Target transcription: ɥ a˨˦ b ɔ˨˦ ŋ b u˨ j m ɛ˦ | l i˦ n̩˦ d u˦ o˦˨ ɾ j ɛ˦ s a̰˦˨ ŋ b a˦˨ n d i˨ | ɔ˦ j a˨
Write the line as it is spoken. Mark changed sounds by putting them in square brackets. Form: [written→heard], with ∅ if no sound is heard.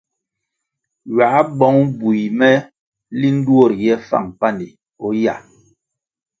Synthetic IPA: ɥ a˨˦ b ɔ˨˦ ŋ b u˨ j m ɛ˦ | l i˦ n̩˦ d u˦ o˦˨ ɾ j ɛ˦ [s→f] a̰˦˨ ŋ [b→p] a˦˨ n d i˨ | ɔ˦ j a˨